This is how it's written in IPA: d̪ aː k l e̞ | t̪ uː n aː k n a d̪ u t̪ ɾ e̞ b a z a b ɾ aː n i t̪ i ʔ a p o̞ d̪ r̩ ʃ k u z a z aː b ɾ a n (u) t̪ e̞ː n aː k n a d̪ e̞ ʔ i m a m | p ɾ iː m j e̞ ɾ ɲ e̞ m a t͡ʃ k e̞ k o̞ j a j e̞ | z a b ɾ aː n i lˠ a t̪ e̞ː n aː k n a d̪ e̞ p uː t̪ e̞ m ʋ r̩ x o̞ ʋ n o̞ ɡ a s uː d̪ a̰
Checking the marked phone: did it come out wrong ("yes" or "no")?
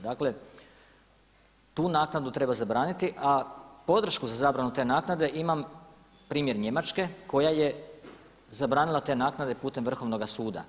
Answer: no